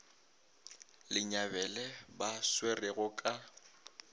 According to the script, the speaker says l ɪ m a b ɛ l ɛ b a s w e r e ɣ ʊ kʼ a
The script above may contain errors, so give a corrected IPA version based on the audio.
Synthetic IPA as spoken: l ɪ ɲ a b ɛ l ɛ b a s w e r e ɣ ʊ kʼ a